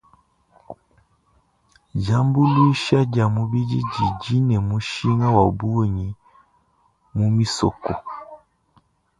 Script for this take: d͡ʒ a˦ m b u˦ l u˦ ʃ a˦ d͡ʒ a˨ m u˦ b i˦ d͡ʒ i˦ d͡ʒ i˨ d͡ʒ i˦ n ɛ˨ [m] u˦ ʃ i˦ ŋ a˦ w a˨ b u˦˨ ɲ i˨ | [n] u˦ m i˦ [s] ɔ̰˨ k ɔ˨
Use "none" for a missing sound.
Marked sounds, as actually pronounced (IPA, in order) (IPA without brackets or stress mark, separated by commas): m, m, s